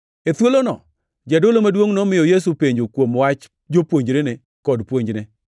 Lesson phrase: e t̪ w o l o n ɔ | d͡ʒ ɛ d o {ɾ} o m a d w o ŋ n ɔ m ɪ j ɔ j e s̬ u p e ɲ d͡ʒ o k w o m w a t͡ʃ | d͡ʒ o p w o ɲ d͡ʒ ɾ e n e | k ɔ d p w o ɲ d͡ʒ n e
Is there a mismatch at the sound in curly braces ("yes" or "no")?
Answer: yes